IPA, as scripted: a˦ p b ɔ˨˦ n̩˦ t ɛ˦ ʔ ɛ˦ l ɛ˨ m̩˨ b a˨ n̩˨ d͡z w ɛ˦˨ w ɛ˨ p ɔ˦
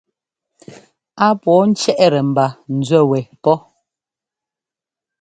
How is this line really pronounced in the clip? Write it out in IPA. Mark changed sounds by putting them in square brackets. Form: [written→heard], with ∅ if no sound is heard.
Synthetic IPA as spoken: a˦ p [b→w] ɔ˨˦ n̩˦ [t→t͡ʃ] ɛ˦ ʔ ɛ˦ [l→ɾ] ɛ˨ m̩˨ b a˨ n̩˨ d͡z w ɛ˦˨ w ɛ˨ p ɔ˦